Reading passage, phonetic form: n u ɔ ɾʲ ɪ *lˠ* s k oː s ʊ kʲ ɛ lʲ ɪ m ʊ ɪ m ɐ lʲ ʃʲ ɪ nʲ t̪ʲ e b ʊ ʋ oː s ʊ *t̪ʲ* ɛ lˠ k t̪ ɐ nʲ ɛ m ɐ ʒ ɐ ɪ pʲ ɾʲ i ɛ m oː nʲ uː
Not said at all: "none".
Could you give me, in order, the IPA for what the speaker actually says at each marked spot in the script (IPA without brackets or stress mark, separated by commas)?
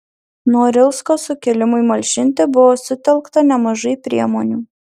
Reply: lˠ, t̪ʲ